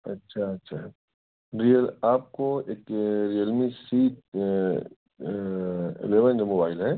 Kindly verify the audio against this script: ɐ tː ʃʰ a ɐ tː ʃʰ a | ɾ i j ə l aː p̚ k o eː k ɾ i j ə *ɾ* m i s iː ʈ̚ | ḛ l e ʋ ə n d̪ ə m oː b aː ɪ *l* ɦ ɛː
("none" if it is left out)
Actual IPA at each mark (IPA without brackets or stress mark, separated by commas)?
l, l